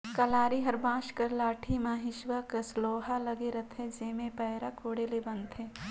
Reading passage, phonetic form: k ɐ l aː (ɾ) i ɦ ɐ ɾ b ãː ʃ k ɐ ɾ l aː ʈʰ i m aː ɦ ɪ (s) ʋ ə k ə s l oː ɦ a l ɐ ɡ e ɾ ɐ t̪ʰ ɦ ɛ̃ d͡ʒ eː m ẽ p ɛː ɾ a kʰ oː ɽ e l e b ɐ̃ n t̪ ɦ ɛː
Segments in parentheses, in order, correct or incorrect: correct, incorrect: ʃ

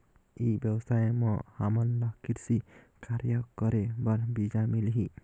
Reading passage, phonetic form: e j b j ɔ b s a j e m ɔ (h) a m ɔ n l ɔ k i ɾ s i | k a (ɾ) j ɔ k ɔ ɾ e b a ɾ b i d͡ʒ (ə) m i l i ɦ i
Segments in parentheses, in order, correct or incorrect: correct, correct, incorrect: a

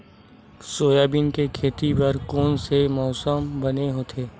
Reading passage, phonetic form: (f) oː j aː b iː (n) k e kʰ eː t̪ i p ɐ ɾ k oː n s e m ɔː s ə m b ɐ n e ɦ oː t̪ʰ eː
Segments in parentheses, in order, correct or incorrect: incorrect: s, correct

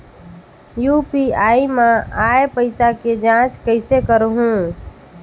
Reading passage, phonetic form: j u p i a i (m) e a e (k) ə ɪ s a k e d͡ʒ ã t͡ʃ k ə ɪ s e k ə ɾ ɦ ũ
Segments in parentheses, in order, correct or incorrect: correct, incorrect: p

